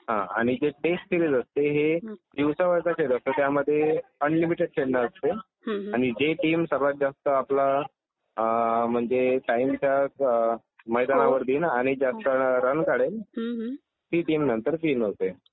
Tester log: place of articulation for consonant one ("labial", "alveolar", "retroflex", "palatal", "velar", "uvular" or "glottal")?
glottal